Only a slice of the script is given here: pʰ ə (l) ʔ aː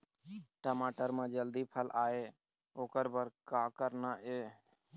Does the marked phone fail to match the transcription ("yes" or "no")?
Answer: no